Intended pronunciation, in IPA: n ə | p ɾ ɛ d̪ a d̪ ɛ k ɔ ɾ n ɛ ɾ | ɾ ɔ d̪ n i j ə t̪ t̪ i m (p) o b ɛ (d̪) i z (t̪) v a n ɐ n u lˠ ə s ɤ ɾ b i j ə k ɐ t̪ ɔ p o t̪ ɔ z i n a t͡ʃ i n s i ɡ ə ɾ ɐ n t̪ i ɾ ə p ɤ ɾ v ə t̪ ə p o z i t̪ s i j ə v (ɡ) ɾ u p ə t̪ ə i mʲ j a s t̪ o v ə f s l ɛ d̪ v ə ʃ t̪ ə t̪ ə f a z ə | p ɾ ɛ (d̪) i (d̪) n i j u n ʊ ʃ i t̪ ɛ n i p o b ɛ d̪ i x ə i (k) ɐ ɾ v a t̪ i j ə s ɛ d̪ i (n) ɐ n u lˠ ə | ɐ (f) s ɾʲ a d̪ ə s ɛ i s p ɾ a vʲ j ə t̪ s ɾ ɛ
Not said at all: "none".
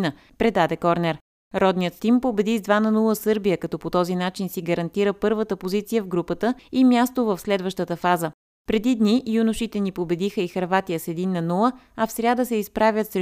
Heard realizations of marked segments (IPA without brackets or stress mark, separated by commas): p, d̪, d̪, ɡ, d̪, d̪, x, nː, f